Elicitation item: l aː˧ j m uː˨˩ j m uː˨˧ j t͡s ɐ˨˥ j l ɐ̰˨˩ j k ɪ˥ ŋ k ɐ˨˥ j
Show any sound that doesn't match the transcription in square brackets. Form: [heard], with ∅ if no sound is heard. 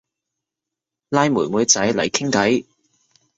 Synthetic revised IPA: l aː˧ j m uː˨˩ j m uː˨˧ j t͡s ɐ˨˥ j l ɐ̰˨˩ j [kʰ] ɪ˥ ŋ k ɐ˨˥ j